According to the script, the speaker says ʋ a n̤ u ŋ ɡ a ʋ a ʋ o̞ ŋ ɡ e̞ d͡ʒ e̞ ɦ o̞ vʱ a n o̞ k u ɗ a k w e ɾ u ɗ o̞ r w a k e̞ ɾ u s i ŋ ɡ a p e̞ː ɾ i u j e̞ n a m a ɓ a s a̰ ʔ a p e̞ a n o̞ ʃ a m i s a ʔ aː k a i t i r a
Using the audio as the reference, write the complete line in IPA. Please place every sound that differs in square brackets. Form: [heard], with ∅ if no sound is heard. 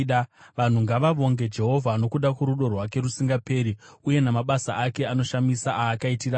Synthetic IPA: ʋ a n̤ u ŋ ɡ a ʋ a ʋ o̞ ŋ ɡ e̞ d͡ʒ e̞ ɦ o̞ vʱ a n o̞ k u ɗ a k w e ɾ u ɗ o̞ r w a k e̞ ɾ u s i ŋ ɡ a p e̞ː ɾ i u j e̞ n a m a ɓ a s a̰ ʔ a [k] e̞ a n o̞ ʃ a m i s a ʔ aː k a i t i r a